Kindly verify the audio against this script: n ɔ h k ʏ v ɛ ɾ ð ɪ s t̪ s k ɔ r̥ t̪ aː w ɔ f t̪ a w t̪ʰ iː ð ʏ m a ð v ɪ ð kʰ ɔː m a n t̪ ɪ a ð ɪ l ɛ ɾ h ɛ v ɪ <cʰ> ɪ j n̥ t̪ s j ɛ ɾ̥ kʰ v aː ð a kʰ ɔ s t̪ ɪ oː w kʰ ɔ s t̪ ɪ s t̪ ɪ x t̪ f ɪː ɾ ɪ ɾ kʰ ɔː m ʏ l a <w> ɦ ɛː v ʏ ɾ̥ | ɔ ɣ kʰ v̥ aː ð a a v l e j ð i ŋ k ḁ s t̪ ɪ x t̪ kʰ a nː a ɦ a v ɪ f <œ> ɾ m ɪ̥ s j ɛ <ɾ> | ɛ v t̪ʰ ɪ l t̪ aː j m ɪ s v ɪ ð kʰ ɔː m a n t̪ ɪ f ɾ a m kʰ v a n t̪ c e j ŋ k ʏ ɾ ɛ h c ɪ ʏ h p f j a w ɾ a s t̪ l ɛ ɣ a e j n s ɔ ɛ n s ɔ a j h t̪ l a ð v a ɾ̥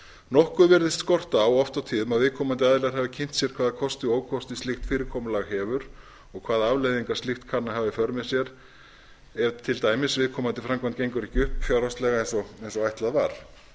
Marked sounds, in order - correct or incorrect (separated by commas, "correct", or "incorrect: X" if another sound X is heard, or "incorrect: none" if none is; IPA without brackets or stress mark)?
correct, incorrect: ɣ, correct, correct